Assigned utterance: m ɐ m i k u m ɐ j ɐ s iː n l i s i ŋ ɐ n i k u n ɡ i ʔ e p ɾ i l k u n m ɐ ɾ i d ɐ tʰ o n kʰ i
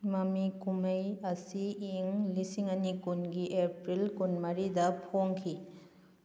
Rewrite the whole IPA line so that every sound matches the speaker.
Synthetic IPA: m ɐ m i k u m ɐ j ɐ s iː ŋ l i s i ŋ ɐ n i k u n ɡ i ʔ e p ɾ i l k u n m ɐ ɾ i d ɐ pʰ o ŋ kʰ i